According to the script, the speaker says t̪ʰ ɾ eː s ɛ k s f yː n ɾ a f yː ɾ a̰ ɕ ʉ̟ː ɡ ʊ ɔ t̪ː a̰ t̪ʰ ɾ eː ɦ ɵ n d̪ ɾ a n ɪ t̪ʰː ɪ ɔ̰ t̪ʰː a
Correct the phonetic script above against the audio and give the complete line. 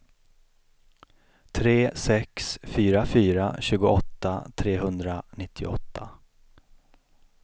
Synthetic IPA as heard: t̪ʰ ɾ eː s ɛ k s f yː ɾ a f yː ɾ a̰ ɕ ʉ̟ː ɡ ʊ ɔ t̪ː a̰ t̪ʰ ɾ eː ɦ ɵ n d̪ ɾ a n ɪ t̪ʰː ɪ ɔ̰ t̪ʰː a